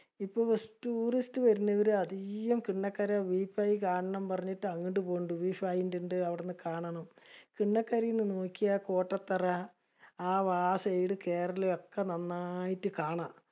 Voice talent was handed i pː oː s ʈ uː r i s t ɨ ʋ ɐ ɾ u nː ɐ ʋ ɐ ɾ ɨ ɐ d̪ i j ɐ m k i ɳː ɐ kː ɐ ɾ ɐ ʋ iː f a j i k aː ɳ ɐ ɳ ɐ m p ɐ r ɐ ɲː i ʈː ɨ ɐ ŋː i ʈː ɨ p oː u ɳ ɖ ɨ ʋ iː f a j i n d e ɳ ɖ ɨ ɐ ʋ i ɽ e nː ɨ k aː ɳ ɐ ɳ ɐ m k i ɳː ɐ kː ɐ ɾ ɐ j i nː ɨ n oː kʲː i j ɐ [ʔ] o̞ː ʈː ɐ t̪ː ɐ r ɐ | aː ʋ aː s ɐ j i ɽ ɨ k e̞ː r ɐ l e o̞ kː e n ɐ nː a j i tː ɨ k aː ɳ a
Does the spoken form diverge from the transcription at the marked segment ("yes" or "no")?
yes